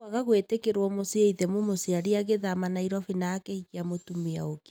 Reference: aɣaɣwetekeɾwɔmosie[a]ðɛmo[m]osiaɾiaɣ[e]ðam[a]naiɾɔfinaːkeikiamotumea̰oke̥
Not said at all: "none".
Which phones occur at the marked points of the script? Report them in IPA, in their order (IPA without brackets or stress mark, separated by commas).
i, m, e, a